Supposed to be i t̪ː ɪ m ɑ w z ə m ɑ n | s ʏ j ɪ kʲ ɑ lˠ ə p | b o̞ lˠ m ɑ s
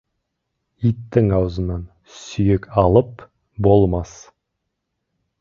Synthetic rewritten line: i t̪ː ɪ ŋ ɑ w z ə n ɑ n | s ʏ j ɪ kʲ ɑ lˠ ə p | b o̞ lˠ m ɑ s